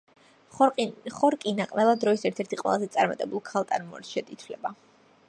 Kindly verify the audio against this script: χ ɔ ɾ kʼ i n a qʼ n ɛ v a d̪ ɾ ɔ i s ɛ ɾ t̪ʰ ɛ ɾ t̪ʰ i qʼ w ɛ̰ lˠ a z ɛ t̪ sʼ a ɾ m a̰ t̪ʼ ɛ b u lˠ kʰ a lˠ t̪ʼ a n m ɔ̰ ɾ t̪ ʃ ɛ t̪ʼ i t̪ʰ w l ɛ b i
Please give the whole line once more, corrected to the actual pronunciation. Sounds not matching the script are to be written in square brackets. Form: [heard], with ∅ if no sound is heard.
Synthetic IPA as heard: χ ɔ ɾ kʼ i n a qʼ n ɛ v a d̪ ɾ ɔ i s ɛ ɾ t̪ʰ ɛ ɾ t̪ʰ i qʼ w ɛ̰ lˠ a z ɛ t̪ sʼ a ɾ m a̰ t̪ʼ ɛ b u lˠ kʰ a lˠ t̪ʼ a n m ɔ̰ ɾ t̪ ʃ ɛ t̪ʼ i t̪ʰ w l ɛ b [a]